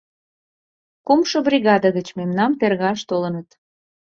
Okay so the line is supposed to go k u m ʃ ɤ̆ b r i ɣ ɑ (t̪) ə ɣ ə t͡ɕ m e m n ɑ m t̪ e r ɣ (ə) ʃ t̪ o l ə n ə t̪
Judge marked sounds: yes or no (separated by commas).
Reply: no, no